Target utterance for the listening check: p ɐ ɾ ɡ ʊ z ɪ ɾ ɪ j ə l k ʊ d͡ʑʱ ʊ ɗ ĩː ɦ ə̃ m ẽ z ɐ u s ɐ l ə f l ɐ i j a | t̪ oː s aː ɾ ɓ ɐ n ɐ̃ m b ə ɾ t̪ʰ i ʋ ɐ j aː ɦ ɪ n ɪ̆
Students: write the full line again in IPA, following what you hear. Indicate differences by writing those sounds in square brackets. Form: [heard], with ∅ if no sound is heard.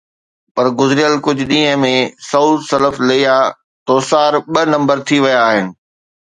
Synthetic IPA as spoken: p ɐ ɾ ɡ ʊ z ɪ ɾ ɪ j ə l k ʊ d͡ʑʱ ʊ ɗ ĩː ɦ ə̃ m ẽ [s] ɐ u s ɐ l ə f l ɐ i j a | t̪ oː s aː ɾ ɓ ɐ n ɐ̃ m b ə ɾ t̪ʰ i ʋ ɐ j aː ɦ ɪ n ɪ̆